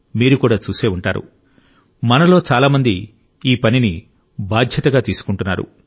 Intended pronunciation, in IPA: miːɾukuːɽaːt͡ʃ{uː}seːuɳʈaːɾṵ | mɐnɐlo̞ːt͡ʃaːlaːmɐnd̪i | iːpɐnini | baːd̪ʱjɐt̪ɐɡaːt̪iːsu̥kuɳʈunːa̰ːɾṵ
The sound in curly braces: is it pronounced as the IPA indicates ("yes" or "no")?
yes